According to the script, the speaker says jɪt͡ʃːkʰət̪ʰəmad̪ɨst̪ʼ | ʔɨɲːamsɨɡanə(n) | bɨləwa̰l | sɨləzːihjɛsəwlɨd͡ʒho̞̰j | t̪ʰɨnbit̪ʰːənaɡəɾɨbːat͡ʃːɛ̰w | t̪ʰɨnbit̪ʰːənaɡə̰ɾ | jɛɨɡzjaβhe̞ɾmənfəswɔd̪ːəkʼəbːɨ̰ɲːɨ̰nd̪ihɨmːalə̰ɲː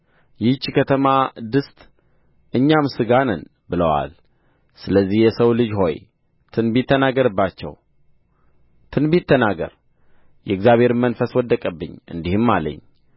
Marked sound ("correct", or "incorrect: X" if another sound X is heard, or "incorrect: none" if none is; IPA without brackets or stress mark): correct